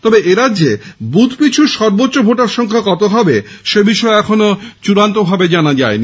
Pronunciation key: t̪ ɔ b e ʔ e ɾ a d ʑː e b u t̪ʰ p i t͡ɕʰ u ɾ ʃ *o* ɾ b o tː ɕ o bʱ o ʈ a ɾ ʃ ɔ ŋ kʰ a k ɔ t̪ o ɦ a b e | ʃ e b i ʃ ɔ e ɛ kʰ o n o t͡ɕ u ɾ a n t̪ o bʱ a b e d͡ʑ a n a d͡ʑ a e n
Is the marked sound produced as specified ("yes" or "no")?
no